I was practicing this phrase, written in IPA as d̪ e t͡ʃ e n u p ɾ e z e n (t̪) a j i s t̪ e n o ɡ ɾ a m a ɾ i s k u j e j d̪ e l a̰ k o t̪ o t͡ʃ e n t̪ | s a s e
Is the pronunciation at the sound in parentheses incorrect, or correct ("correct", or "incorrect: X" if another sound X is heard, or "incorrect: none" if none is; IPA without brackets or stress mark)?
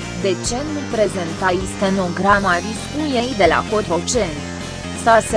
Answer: correct